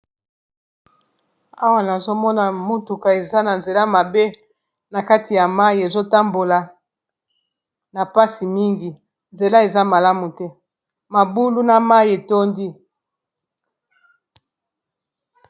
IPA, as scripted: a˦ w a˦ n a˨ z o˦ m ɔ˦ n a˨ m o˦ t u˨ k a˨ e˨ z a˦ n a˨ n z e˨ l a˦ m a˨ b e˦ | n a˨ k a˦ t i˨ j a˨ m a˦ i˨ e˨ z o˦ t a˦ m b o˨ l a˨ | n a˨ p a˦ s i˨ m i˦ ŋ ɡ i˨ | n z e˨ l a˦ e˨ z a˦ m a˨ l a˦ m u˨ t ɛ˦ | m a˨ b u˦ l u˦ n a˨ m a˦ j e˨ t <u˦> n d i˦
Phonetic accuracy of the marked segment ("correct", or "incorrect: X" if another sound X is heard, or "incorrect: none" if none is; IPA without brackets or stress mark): incorrect: o˦